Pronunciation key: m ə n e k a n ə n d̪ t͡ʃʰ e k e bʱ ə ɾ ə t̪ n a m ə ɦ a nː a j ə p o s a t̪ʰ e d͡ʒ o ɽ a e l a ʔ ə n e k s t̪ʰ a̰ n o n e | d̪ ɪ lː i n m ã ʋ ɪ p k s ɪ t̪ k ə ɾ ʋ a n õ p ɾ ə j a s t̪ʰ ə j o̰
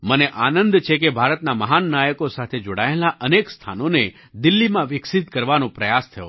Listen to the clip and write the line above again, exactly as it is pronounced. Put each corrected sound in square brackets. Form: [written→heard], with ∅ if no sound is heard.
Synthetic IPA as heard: m ə n e [k→ʔ] a n ə n d̪ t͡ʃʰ e k e bʱ [ə→a] ɾ ə t̪ n a m ə ɦ a nː a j ə [p→k] o s a t̪ʰ e d͡ʒ o ɽ a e l a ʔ ə n e k s t̪ʰ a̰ n o n e | d̪ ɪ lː i [n→∅] m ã ʋ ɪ [p→∅] k s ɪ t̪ k ə ɾ ʋ a n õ p ɾ ə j a s t̪ʰ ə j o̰